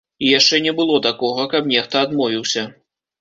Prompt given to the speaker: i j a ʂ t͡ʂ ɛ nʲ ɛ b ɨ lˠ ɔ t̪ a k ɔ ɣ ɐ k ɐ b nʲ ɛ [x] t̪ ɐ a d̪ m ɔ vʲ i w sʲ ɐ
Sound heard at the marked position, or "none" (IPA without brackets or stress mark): x